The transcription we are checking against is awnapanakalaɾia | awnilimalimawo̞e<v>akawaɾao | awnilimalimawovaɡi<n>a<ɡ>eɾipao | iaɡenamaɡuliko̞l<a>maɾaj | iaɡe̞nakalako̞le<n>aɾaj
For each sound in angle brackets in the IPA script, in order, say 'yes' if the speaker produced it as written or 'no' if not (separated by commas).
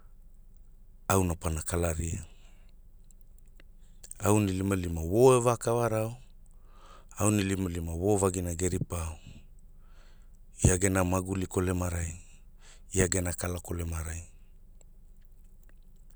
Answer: yes, yes, yes, no, no